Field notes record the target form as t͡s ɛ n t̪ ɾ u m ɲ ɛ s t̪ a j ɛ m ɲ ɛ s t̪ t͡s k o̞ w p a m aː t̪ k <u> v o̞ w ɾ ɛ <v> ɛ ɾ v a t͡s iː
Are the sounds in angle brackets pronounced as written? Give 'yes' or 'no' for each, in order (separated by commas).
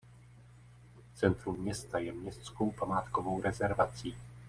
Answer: no, no